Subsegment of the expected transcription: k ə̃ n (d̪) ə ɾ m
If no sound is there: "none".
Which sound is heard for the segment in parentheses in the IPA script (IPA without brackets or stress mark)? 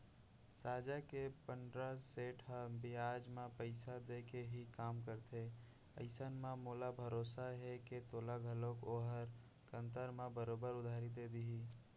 t̪